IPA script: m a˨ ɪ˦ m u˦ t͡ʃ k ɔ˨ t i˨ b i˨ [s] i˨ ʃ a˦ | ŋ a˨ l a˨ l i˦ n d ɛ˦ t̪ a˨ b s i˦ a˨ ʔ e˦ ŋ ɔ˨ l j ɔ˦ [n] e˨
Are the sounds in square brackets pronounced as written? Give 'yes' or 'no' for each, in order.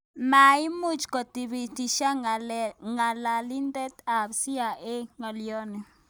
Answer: no, yes

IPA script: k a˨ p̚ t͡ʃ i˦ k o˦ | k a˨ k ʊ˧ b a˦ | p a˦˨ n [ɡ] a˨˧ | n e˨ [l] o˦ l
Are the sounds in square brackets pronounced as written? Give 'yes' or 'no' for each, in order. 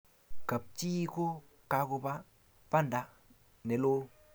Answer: no, yes

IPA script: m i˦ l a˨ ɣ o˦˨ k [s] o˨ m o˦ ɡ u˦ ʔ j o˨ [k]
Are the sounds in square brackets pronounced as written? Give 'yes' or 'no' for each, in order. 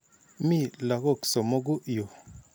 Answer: yes, no

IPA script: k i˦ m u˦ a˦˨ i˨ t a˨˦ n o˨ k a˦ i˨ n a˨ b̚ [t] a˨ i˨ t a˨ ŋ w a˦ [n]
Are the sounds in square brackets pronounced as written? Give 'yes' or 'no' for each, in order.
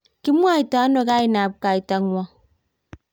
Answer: no, no

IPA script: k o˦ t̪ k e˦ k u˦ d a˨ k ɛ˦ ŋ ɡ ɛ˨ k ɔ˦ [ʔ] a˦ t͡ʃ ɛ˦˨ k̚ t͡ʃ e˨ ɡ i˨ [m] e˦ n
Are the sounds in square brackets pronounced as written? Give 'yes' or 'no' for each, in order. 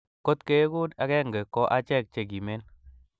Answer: yes, yes

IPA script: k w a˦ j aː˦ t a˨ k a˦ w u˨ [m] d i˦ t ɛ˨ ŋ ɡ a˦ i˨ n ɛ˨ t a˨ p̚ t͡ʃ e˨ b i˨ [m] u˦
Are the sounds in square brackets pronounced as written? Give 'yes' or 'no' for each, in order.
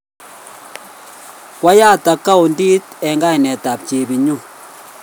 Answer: no, no

